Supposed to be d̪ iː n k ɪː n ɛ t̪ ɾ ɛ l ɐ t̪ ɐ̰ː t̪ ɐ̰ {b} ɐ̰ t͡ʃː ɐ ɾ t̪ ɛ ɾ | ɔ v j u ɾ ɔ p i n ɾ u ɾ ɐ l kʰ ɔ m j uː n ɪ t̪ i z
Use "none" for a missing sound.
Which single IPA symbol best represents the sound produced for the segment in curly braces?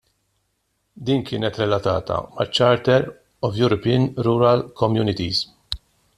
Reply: m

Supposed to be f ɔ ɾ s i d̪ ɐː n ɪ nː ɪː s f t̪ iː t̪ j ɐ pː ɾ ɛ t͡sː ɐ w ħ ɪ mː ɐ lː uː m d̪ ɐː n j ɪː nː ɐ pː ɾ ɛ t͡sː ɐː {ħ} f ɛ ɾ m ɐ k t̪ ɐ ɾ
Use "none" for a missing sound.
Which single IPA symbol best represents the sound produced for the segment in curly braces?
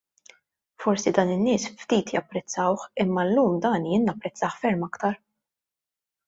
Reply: ħ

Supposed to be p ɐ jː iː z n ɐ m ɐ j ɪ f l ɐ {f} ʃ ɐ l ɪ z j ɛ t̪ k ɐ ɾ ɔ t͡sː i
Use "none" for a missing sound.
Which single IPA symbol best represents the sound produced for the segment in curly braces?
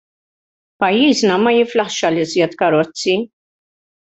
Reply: ħ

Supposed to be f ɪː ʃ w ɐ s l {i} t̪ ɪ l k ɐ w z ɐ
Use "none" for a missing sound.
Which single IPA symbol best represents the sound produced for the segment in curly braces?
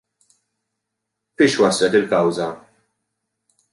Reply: ɛ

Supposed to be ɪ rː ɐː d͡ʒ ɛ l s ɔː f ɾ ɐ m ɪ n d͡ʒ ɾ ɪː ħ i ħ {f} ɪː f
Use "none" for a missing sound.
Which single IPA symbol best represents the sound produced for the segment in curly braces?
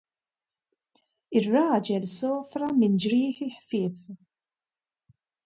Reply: f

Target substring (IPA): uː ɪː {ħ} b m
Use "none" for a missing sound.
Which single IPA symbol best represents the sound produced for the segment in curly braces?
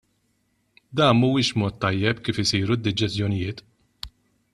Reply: ʃ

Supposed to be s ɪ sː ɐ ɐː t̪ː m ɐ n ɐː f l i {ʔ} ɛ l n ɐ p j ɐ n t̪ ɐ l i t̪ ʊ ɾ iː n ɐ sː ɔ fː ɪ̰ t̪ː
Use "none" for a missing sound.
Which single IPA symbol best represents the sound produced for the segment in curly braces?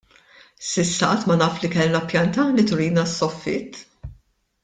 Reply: k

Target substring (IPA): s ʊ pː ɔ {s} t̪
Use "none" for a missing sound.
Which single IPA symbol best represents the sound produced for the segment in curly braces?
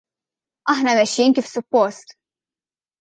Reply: s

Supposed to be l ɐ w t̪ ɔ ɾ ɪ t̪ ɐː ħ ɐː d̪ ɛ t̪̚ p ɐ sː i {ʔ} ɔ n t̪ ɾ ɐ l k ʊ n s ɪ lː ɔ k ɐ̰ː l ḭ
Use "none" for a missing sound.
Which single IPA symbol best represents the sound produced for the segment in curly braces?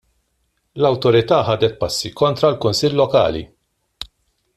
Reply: k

